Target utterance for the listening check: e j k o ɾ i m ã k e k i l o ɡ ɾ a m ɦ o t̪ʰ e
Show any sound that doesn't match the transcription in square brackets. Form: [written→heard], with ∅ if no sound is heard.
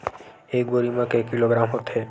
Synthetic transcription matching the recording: e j [k→ɡ] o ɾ i m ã k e k i l o ɡ ɾ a m ɦ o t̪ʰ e